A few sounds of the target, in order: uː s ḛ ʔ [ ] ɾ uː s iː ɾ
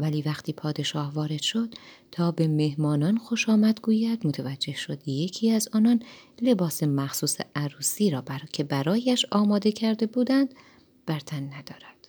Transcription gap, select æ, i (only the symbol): æ